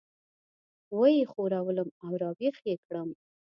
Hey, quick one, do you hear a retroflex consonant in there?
yes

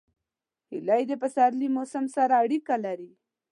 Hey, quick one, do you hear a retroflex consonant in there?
yes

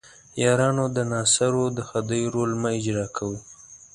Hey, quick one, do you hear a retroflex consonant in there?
no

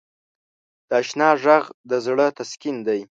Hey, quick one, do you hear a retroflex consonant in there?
yes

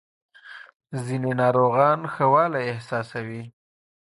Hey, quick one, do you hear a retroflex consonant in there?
no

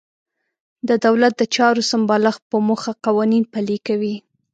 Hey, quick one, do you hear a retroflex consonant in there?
no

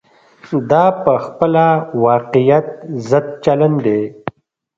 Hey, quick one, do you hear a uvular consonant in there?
yes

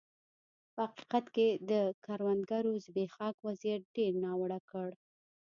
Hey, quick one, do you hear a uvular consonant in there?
yes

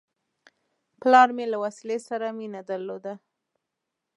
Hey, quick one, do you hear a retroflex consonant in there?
no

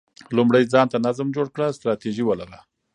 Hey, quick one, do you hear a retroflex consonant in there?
yes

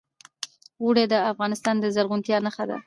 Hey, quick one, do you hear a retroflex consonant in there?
yes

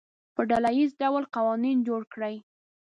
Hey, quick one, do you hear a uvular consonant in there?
yes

